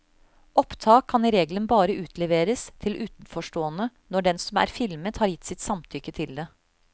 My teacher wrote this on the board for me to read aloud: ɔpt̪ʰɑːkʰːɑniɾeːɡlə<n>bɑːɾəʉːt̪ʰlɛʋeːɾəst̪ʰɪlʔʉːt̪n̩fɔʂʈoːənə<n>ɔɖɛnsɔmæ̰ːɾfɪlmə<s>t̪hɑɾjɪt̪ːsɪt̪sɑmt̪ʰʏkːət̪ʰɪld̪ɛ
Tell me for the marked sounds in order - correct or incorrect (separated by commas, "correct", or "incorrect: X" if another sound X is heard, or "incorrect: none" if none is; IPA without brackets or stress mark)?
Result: correct, correct, incorrect: none